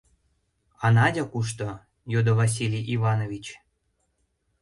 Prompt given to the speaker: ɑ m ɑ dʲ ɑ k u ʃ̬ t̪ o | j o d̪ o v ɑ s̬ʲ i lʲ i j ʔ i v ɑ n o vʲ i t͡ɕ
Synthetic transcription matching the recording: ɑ n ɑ dʲ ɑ k u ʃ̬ t̪ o | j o d̪ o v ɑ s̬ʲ i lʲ i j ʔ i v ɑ n o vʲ i t͡ɕ

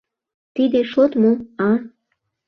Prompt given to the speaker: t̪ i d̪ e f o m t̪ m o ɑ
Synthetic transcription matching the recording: t̪ i d̪ e ʃ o t̪ m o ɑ

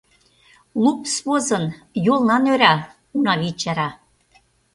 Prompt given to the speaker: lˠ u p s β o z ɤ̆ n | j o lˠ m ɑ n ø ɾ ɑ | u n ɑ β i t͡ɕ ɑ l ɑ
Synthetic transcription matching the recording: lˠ u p s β o z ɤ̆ n | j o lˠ n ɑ n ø ɾ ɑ | u n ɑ β i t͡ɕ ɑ ɾ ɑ

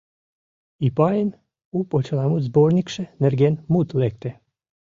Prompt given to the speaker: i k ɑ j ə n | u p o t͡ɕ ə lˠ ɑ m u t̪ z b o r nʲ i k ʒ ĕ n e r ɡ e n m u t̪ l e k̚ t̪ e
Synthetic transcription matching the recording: i p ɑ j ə n | u p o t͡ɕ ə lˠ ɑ m u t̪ z b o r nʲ i k ʃ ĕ n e r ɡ e n m u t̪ l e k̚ t̪ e

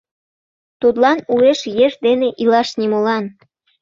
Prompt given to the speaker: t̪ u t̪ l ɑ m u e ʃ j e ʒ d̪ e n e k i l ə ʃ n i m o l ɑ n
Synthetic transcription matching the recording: t̪ u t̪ l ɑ n u e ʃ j e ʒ d̪ e n e ʔ i l ɑ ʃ n i m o l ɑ n

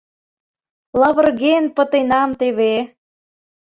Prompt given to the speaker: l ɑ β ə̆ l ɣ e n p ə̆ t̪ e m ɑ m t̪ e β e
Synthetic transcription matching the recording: l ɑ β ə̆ r ɣ e n p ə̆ t̪ e n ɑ m t̪ e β e

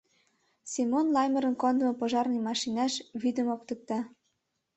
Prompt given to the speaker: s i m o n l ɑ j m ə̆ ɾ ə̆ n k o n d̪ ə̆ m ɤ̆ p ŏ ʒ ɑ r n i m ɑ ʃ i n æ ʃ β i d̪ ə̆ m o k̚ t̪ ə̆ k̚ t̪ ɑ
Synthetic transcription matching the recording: s i m o n l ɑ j m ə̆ ɾ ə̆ n k o n d̪ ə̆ m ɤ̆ p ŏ ʒ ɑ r n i m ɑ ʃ i n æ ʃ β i d̪ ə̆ m o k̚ t̪ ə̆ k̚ t̪ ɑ

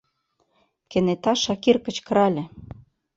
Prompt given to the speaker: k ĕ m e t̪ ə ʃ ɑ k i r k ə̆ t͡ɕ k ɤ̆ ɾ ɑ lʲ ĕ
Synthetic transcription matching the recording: k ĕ n e t̪ ɑ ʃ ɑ k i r k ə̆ t͡ɕ k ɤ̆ ɾ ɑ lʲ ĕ

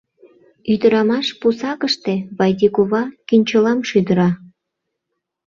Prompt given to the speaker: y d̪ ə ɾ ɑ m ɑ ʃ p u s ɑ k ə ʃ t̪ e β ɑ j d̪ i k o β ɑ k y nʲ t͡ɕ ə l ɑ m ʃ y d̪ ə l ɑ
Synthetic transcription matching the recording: y d̪ ə ɾ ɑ m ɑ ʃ p u s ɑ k ə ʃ t̪ e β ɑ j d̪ i k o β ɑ k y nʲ t͡ɕ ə l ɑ m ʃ y d̪ ə ɾ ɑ

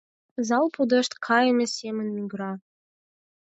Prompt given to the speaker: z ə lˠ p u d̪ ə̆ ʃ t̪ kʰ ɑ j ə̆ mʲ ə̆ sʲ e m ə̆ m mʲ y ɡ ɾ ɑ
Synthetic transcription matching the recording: z ɑ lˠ p u d̪ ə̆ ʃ t̪ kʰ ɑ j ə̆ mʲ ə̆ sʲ e m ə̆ n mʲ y ɡ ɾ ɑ

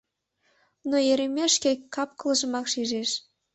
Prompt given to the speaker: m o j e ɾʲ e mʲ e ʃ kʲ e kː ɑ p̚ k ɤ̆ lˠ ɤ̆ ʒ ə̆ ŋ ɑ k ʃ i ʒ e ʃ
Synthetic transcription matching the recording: n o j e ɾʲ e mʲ e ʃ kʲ e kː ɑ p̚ k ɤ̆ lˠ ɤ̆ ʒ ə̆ m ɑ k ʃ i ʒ e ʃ

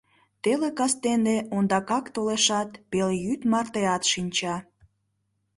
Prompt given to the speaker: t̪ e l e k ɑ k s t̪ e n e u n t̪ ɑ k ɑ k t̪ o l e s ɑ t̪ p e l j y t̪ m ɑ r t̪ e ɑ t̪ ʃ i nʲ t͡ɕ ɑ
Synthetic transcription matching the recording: t̪ e l e k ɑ s t̪ e n e o n d̪ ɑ k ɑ k t̪ o l e ʃ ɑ t̪ p e l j y t̪ m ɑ r t̪ e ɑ t̪ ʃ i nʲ t͡ɕ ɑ

